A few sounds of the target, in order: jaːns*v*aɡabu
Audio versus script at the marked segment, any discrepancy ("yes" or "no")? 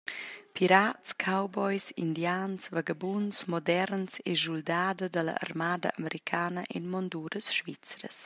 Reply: no